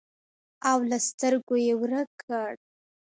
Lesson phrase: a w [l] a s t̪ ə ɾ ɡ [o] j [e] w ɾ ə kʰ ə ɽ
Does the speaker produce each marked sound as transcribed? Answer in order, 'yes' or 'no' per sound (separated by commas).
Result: yes, yes, yes